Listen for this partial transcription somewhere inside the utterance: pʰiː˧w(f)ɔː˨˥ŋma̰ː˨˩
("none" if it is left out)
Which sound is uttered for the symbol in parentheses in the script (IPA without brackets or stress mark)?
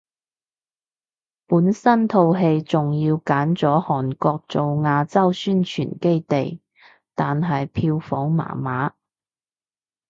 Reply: f